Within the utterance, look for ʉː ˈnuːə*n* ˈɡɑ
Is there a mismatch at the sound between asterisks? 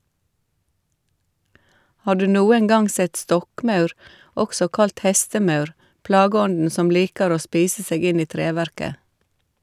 yes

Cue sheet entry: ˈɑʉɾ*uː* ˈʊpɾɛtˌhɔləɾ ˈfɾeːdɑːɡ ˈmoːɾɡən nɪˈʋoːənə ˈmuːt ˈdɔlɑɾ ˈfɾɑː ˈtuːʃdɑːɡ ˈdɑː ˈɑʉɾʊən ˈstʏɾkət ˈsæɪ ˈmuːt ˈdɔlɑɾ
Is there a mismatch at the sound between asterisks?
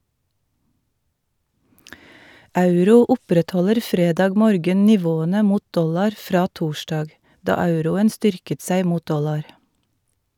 no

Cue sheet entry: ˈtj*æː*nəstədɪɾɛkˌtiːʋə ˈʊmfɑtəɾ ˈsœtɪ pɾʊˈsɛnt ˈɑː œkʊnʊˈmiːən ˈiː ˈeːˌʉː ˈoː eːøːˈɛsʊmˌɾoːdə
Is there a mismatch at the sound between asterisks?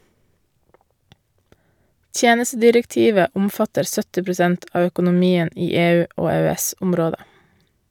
yes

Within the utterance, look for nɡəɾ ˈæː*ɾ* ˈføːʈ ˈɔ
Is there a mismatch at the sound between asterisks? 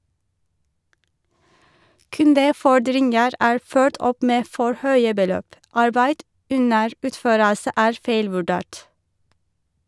yes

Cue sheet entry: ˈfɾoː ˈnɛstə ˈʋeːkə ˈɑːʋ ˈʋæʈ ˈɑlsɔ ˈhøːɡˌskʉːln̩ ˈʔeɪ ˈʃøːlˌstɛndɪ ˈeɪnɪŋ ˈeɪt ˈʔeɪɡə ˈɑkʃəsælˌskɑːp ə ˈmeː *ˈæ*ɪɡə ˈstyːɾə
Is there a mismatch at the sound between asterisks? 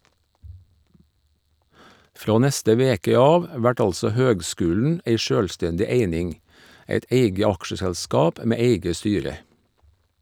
yes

